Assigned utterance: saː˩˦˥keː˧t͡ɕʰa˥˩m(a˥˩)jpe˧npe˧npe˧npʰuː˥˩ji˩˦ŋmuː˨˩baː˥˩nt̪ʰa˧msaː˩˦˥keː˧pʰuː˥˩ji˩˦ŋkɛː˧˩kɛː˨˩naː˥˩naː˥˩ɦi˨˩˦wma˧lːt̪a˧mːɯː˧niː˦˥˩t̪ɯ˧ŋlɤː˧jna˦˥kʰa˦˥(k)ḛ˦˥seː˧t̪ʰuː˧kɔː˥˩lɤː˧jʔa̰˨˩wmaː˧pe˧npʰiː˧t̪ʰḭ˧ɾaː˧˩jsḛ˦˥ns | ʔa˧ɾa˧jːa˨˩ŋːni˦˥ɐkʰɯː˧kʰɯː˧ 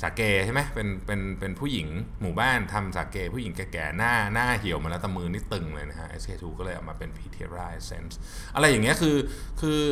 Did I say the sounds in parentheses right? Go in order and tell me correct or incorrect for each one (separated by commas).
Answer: incorrect, incorrect